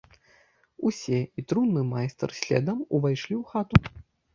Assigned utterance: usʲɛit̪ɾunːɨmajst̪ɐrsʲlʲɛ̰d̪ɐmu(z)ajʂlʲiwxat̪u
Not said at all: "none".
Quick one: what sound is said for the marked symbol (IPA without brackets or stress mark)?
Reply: v